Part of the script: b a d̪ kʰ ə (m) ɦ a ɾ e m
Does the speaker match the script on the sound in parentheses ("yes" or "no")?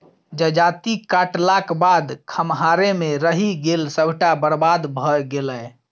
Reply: yes